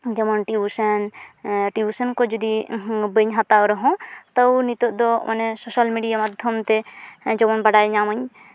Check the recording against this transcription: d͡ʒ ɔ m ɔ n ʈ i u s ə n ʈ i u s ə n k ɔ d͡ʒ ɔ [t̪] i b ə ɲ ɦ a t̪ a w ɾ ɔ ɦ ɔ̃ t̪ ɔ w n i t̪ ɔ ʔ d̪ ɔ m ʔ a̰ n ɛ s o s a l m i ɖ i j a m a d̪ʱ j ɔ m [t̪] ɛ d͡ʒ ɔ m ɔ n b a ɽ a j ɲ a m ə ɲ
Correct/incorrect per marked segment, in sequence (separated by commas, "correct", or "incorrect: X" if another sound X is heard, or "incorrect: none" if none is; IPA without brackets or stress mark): incorrect: d̪, correct